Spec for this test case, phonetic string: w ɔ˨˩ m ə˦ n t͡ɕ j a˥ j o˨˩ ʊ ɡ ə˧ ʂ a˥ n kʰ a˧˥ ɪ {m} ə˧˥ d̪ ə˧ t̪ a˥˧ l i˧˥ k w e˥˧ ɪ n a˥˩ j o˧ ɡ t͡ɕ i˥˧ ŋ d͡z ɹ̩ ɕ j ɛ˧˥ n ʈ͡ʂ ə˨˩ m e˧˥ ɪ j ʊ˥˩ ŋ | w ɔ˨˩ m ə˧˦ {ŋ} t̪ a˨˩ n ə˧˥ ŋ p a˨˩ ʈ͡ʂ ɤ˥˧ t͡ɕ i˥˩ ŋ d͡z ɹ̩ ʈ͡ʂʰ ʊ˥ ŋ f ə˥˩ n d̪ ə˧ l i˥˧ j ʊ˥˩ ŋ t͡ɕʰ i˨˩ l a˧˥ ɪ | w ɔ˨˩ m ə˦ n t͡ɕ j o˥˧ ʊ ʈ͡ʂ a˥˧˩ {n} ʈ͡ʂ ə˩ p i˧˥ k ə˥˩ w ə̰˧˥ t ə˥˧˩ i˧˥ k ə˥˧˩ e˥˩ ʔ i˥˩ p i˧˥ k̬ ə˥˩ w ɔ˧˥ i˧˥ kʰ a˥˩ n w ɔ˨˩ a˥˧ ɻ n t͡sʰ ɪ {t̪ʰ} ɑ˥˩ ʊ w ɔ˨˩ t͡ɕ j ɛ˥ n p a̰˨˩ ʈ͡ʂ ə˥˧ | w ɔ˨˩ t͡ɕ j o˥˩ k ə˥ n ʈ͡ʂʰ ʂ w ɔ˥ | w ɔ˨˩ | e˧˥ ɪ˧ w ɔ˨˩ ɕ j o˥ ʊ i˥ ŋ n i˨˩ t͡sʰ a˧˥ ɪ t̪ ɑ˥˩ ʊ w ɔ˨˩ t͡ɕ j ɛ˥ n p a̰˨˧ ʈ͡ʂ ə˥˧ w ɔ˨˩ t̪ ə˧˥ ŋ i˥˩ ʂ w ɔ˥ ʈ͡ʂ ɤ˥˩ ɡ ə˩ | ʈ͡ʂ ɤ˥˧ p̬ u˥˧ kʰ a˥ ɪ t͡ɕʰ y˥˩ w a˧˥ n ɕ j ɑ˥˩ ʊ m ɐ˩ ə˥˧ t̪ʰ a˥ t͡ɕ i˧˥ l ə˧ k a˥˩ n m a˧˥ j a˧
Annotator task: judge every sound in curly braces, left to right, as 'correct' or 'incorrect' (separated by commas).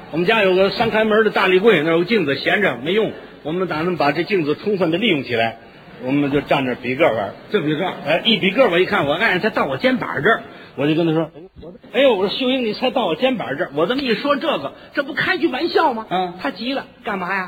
correct, incorrect, correct, incorrect